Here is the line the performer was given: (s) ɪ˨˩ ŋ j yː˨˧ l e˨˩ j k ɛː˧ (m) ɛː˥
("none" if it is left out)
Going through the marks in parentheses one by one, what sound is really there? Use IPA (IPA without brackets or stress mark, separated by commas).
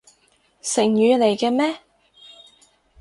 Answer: s, m